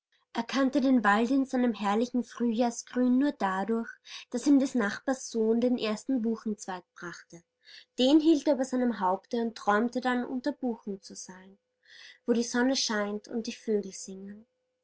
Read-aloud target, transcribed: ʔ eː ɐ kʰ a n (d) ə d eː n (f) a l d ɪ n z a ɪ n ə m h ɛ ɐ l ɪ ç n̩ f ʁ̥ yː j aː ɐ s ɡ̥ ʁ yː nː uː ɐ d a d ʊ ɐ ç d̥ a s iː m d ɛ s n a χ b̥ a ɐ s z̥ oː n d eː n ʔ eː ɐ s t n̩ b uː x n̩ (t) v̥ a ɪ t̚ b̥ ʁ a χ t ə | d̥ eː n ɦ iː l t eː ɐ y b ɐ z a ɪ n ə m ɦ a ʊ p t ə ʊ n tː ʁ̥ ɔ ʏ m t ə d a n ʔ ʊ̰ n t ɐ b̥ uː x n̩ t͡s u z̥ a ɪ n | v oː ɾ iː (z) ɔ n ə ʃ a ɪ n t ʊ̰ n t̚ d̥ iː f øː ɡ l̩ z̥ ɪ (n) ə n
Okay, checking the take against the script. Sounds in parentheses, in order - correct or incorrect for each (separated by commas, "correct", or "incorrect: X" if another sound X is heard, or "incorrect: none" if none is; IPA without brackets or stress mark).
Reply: incorrect: t, incorrect: v, incorrect: t͡s, correct, incorrect: ŋ